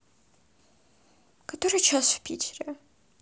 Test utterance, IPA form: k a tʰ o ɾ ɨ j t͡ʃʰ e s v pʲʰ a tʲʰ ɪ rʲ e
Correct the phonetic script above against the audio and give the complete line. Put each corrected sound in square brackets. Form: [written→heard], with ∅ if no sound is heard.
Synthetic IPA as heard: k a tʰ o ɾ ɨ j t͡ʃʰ [e→a] s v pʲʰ [a→i] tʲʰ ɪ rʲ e

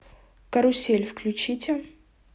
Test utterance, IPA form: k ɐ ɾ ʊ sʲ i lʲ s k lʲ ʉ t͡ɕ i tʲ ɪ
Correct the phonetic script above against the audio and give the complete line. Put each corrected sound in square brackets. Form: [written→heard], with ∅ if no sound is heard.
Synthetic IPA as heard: k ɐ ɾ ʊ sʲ [i→e] lʲ [s→f] k lʲ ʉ t͡ɕ i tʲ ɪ

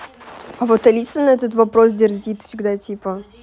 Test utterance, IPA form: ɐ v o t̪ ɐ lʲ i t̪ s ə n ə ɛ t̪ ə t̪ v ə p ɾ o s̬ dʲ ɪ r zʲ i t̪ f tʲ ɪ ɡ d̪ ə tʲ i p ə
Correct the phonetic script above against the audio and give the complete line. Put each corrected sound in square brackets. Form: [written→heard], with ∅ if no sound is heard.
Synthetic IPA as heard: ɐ v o t̪ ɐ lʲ i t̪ s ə n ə ɛ t̪ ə t̪ v [ə→ɐ] p ɾ o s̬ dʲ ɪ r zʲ i t̪ f [tʲ→sʲ] ɪ ɡ d̪ [ə→a] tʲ i p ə

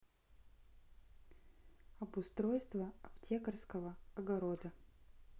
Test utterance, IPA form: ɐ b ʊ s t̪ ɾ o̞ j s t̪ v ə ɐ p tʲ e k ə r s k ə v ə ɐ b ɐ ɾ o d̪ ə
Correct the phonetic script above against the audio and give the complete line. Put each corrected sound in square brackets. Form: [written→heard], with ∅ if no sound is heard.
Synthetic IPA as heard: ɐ b ʊ s t̪ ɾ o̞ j s t̪ v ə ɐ p tʲ e k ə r s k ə v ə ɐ [b→ɡ] ɐ ɾ o d̪ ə

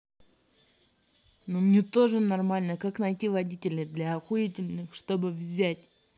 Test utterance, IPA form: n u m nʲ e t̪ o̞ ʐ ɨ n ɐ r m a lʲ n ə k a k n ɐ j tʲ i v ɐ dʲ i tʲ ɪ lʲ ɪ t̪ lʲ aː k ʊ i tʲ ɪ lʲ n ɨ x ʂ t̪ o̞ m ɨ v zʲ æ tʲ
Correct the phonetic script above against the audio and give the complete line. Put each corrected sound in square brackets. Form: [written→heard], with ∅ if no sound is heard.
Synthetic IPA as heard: n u m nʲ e t̪ o̞ ʐ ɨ n ɐ r m a lʲ n ə k a k n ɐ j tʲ i v ɐ dʲ i tʲ ɪ lʲ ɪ [t̪→d̪] lʲ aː [k→x] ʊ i tʲ ɪ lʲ n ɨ x ʂ t̪ o̞ [m→b] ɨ v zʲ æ tʲ

